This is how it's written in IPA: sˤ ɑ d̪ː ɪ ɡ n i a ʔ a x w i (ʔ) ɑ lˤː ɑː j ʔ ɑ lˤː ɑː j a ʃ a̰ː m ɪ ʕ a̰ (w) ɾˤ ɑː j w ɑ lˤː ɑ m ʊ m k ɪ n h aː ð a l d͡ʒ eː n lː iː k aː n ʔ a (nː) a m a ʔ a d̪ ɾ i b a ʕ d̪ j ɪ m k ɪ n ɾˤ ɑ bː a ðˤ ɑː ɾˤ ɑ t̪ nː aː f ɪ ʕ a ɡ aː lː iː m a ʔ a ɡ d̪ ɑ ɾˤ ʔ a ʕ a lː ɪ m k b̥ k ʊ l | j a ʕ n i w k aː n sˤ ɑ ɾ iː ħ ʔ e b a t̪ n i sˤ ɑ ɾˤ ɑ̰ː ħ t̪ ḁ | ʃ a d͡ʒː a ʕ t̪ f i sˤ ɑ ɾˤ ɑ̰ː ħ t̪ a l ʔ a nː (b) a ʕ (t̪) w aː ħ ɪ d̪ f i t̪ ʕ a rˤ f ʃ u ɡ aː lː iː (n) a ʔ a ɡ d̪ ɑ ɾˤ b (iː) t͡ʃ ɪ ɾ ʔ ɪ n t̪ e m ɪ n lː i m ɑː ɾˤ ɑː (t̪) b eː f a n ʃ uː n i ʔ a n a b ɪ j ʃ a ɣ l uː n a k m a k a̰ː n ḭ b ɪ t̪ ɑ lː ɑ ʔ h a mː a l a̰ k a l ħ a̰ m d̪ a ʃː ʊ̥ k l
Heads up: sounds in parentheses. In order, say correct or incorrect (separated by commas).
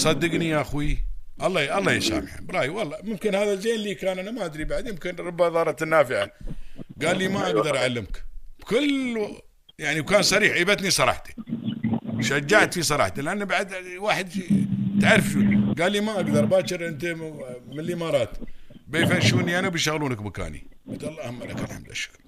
correct, incorrect, incorrect, correct, incorrect, incorrect, incorrect, correct